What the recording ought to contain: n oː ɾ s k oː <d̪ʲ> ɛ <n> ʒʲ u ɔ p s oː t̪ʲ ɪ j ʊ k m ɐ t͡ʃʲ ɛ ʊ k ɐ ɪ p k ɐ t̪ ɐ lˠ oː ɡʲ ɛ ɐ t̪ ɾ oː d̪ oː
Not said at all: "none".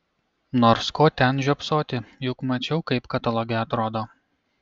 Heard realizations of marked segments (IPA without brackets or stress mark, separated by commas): t̪ʲ, n